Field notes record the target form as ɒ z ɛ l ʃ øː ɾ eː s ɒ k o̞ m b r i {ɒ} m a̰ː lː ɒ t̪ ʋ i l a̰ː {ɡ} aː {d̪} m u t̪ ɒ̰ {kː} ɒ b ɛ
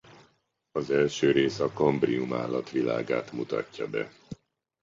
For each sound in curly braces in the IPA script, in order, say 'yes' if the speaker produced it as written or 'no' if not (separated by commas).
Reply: no, yes, no, no